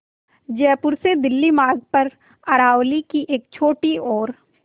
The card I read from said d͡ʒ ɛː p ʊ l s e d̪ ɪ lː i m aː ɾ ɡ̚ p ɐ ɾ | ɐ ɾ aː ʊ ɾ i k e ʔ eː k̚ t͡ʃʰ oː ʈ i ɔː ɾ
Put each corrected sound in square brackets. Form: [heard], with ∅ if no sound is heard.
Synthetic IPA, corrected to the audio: d͡ʒ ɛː p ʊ [ɾ] s e d̪ ɪ lː i m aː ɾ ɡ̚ p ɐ ɾ | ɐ ɾ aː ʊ [l] i k [i] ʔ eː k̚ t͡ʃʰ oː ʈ i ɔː ɾ

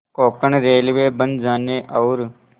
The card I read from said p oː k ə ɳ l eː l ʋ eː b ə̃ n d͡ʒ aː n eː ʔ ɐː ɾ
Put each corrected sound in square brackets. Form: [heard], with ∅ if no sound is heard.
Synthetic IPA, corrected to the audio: [k] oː k ə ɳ [ɾ] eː l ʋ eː b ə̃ n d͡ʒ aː n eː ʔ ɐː ɾ

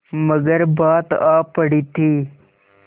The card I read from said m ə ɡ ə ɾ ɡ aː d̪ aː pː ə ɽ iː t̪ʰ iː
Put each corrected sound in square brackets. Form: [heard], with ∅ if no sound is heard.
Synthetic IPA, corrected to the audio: m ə ɡ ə ɾ [b] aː [t̪] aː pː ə ɽ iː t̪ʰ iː

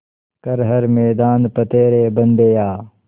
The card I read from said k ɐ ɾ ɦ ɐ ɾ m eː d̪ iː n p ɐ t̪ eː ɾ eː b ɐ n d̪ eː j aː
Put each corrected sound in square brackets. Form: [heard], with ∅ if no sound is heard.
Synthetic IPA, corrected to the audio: k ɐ ɾ ɦ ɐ ɾ m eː d̪ [aː] n p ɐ t̪ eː ɾ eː b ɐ n d̪ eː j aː

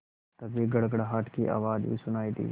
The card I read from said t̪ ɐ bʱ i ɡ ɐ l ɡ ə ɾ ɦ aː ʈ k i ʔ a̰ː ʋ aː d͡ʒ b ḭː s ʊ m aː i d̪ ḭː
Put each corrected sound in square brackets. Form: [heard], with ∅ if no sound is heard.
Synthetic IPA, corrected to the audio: t̪ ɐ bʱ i ɡ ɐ [ɽ] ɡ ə [ɽ] ɦ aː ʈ k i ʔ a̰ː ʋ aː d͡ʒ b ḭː s ʊ [n] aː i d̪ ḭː

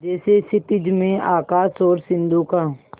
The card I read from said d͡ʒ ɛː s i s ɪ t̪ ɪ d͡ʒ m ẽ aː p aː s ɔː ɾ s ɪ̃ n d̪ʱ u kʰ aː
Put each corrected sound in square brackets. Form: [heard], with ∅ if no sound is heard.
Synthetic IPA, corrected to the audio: d͡ʒ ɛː s [e] s ɪ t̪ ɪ d͡ʒ m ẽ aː [k] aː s ɔː ɾ s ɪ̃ n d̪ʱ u [k] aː

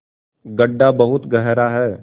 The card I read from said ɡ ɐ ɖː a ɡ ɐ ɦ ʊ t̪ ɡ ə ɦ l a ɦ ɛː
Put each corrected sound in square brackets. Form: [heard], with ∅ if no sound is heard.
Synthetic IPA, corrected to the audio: ɡ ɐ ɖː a [b] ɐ ɦ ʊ t̪ ɡ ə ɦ [ɾ] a ɦ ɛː

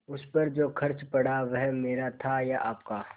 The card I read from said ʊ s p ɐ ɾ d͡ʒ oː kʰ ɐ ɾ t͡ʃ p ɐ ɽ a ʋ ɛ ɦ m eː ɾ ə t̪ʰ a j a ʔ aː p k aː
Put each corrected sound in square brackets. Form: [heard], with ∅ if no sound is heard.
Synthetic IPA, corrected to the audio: ʊ s p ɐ ɾ d͡ʒ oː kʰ ɐ ɾ t͡ʃ p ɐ ɽ a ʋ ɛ ɦ m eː ɾ [a] t̪ʰ a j a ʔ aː p k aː

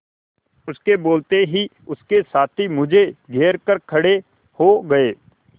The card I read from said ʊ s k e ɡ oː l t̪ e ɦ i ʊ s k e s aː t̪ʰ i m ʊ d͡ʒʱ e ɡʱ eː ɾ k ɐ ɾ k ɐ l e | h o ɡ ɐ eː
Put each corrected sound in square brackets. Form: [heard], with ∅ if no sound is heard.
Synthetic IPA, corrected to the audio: ʊ s k e [b] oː l t̪ e ɦ i ʊ s k e s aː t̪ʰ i m ʊ d͡ʒʱ e ɡʱ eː ɾ k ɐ ɾ [kʰ] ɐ [ɽ] e | h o ɡ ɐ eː

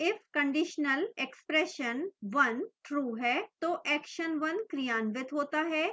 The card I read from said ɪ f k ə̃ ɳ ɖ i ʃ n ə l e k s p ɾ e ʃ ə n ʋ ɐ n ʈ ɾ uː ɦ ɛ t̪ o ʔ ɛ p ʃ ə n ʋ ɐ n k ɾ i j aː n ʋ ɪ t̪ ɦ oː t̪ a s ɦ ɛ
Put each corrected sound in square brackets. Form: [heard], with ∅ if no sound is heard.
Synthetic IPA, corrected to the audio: ɪ f k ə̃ ɳ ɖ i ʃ n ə l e k s p ɾ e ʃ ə n ʋ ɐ n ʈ ɾ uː ɦ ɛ t̪ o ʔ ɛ [k] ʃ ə n ʋ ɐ n k ɾ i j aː n ʋ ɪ t̪ ɦ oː t̪ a [∅] ɦ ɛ

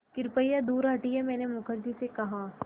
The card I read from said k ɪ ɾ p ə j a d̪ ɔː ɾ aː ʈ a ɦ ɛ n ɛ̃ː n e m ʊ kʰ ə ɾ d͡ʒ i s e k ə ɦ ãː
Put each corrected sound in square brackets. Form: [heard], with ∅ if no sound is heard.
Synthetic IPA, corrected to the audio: k ɪ ɾ p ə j a d̪ [uː] ɾ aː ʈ [i] ɦ ɛ [m] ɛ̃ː n e m ʊ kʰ ə ɾ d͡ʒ i s e k [ɐ] ɦ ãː

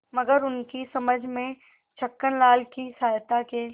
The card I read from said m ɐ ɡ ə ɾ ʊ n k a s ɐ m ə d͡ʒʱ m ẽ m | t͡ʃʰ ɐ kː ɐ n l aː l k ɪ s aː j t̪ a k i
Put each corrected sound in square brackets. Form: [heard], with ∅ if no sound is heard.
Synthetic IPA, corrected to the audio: m ɐ ɡ ə ɾ ʊ n k [i] s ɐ m ə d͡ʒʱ m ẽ [∅] | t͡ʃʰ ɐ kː [ə] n l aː l k [i] s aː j t̪ a k [e]

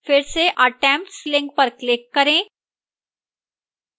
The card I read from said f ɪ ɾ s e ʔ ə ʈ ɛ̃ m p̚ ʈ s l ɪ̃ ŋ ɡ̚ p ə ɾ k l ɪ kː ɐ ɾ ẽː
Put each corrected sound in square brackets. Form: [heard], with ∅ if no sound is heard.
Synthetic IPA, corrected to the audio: f ɪ ɾ s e ʔ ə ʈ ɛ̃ m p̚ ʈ s l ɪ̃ ŋ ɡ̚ p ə ɾ k l ɪ kː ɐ ɾ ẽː

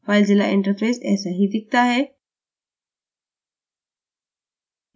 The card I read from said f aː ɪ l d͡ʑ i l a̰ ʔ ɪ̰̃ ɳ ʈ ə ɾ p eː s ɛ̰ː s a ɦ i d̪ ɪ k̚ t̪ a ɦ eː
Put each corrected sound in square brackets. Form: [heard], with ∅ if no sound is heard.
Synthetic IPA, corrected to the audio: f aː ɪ l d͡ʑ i l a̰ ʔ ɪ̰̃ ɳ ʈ ə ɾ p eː s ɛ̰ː s a ɦ i d̪ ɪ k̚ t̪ a ɦ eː

